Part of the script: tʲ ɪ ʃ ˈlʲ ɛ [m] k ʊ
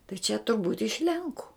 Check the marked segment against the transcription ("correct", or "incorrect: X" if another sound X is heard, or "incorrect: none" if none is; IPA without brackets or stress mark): incorrect: ŋ